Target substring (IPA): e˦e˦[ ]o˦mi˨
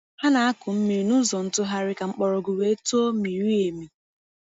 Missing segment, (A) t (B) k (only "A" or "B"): A